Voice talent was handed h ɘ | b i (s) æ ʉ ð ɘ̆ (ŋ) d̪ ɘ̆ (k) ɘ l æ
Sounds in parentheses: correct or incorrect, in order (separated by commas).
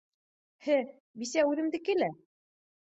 correct, incorrect, correct